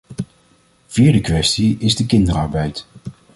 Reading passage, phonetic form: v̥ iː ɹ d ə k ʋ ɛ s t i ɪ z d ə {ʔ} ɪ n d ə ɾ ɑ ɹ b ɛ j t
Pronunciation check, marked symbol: incorrect: k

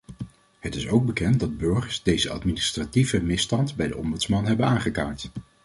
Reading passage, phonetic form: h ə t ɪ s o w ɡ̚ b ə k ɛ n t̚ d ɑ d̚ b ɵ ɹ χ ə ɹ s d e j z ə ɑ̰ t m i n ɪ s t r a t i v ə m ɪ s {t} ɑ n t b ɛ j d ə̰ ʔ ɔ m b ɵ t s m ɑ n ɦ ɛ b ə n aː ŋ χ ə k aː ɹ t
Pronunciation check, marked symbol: correct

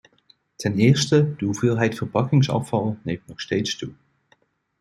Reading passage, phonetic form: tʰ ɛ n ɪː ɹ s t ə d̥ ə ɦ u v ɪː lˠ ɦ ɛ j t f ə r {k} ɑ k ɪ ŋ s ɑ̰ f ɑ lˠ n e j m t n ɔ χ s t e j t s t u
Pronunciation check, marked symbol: incorrect: p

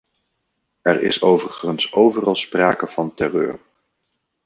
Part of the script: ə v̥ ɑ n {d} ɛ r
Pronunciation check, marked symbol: incorrect: t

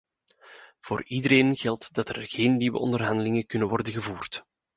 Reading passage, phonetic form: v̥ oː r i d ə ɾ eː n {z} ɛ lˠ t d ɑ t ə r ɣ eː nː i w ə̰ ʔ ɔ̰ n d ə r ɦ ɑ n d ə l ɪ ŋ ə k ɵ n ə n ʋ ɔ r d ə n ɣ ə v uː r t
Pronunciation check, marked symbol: incorrect: ɣ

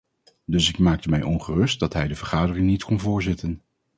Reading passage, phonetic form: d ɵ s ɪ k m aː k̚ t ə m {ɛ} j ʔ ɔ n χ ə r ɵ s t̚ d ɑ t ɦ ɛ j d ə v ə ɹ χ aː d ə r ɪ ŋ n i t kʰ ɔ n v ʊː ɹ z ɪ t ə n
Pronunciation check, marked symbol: correct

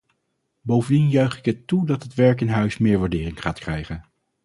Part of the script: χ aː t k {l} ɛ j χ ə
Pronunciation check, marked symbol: incorrect: r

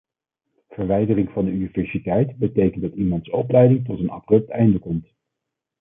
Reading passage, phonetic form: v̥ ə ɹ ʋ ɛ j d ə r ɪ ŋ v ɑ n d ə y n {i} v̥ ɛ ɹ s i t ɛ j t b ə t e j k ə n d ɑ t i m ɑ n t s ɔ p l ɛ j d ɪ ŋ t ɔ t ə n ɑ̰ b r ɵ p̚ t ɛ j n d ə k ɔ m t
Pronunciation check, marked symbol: correct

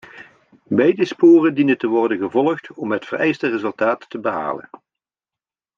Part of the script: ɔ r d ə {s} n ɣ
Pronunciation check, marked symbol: incorrect: none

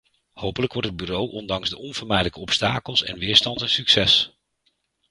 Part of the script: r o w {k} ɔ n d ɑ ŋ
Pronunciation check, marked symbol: incorrect: ʔ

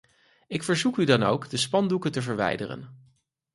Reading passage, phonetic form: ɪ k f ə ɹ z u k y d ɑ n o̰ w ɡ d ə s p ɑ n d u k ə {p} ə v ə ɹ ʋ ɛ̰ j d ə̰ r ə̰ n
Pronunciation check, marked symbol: incorrect: t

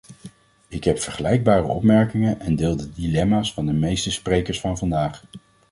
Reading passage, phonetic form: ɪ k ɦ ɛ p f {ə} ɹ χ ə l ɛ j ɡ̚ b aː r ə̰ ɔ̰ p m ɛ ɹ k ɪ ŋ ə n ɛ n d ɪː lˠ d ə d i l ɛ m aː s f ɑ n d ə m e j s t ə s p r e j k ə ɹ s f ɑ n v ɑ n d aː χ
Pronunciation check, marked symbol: correct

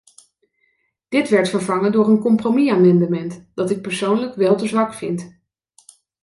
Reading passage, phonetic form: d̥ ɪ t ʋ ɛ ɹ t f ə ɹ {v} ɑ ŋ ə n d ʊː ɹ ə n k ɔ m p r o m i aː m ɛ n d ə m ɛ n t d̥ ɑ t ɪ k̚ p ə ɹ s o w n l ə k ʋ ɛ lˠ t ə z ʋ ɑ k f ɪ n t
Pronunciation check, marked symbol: correct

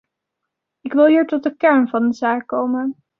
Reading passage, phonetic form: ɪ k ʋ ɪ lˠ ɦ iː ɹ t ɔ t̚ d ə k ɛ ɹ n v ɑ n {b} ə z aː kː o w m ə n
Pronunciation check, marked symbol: incorrect: d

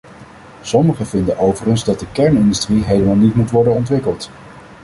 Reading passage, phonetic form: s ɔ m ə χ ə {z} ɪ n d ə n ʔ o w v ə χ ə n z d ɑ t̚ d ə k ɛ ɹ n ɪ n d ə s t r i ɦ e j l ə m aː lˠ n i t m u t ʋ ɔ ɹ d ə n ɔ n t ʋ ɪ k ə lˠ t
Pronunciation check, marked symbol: incorrect: v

